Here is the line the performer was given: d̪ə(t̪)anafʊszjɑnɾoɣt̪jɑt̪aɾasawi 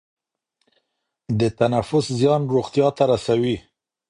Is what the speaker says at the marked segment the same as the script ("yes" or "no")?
yes